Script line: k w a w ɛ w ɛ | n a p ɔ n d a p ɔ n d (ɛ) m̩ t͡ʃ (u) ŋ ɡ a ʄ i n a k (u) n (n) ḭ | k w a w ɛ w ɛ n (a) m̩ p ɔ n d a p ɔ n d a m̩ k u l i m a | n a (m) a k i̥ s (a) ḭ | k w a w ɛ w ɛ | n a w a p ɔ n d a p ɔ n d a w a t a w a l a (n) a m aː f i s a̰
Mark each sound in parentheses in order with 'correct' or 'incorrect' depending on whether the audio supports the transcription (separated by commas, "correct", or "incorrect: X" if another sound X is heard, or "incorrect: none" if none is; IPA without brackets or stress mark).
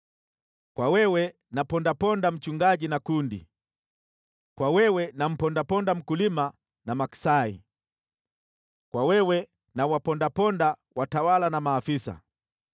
incorrect: a, correct, correct, incorrect: d, correct, correct, correct, correct